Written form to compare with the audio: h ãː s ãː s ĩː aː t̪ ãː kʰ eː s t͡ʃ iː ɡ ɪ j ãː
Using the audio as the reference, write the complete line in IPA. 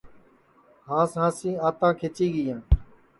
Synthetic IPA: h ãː s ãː s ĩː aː t̪ ãː kʰ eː t͡ʃ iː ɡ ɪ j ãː